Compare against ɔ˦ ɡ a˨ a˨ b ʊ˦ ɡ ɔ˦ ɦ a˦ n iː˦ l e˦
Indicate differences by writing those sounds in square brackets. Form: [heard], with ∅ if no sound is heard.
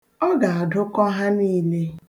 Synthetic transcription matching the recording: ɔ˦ ɡ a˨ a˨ [d] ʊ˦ [k] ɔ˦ ɦ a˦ n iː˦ l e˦